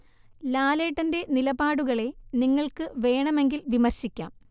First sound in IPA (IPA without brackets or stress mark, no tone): l